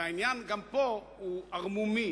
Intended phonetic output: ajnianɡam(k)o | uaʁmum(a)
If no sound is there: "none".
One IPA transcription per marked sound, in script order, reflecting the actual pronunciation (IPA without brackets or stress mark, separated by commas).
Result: p, i